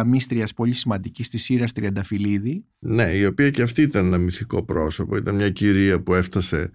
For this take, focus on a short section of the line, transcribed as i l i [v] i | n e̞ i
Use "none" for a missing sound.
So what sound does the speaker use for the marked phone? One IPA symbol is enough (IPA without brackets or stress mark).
ð